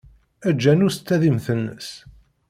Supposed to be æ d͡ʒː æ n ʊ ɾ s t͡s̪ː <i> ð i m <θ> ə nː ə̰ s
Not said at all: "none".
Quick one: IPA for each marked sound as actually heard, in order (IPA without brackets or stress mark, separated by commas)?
æ, θ